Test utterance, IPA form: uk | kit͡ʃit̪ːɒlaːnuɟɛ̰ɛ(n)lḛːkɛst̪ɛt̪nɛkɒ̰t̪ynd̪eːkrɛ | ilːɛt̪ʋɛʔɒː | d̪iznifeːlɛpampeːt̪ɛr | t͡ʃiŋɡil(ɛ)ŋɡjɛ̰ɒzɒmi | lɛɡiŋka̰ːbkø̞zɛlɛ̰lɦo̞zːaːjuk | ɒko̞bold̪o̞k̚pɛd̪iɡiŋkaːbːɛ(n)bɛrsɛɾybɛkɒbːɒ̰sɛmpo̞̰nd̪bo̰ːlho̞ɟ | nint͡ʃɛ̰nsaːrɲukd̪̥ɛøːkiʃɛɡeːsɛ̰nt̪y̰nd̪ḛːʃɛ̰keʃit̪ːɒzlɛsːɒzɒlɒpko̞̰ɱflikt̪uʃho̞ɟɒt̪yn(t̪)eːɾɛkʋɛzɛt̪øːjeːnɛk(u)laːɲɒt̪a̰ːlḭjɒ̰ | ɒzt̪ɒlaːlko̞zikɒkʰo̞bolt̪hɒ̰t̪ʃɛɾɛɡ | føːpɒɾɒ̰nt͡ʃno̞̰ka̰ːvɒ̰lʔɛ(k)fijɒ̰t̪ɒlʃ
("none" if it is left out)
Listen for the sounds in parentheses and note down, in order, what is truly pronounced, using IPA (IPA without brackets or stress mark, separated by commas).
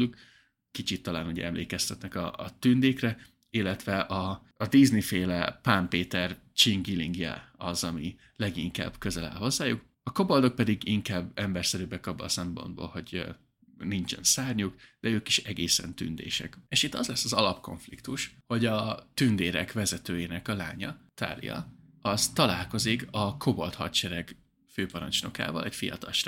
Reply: m, i, m, d̪, ɒ, c